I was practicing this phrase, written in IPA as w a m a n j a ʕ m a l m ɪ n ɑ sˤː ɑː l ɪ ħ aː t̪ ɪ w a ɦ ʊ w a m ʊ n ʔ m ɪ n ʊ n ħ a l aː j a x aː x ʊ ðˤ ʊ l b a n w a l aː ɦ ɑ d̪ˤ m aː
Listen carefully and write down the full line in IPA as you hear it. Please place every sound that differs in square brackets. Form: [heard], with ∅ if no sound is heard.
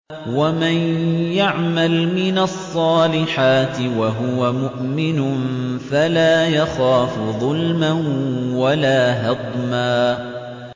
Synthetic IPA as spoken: w a m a n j a ʕ m a l m ɪ n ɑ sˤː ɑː l ɪ ħ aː t̪ ɪ w a ɦ ʊ w a m ʊ [∅] ʔ m ɪ n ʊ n [f] a l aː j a x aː [f] ʊ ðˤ ʊ l [m] a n w a l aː ɦ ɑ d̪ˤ m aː